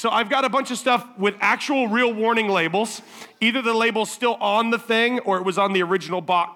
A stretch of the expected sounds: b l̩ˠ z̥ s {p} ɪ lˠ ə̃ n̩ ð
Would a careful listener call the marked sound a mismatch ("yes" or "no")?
yes